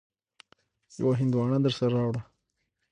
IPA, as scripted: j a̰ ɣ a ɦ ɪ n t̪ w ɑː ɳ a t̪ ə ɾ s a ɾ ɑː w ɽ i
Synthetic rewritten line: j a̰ w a ɦ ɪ n d̪ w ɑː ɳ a d̪ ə ɾ s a ɾ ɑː w ɽ a